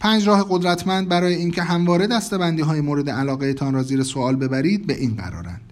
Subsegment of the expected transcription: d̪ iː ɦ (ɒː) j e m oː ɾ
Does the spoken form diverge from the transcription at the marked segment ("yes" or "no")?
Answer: no